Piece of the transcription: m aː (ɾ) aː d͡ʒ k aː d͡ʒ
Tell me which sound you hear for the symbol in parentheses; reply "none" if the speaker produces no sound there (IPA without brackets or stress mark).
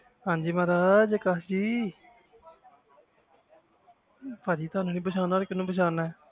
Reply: ɾ